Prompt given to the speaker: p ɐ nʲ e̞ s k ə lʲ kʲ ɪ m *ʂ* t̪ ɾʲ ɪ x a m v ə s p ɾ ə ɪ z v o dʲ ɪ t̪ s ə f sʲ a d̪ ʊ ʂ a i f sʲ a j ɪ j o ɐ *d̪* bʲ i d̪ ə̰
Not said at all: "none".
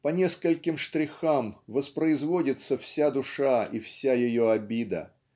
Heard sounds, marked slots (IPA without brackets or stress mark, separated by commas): ʂ, none